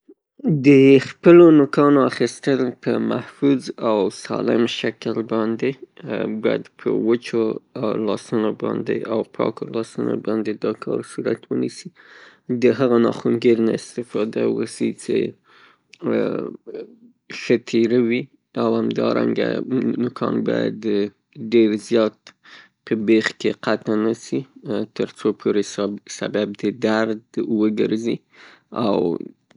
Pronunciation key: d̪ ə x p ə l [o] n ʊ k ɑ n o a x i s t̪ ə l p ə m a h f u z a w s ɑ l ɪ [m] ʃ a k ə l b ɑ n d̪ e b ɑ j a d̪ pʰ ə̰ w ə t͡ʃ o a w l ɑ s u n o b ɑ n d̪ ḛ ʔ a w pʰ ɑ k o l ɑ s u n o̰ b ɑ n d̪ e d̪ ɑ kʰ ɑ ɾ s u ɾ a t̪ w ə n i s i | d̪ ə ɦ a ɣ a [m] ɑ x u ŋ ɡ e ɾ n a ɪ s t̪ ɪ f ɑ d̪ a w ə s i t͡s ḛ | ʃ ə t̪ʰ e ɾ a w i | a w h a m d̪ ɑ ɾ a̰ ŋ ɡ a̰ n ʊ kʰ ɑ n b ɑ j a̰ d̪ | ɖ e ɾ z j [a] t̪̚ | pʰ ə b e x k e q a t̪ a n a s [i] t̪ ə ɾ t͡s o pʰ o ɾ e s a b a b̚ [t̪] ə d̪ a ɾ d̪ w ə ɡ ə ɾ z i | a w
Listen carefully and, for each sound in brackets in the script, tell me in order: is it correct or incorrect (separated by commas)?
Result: correct, correct, incorrect, incorrect, correct, incorrect